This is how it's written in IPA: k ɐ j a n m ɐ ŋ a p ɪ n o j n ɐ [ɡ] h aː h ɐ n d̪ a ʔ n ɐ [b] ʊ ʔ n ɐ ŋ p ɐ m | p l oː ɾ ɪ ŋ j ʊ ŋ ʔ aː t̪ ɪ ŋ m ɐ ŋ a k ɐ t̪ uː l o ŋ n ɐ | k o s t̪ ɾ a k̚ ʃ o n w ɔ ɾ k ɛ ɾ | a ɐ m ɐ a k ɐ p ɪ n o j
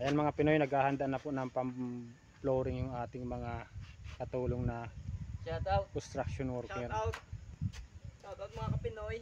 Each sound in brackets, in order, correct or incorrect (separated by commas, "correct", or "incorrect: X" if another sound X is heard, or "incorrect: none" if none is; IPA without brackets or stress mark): correct, incorrect: p